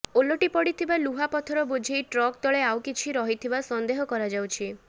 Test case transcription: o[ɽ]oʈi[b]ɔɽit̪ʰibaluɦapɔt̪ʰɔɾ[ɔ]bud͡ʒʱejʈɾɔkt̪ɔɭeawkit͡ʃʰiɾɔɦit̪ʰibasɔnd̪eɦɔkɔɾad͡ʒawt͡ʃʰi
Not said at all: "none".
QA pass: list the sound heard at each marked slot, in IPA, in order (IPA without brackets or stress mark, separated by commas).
l, p, ɔ